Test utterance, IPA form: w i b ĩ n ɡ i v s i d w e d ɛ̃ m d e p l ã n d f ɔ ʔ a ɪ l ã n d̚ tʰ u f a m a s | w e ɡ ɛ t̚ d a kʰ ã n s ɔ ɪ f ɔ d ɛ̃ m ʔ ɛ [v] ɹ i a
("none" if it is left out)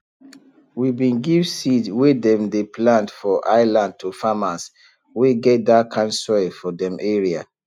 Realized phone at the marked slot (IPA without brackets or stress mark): none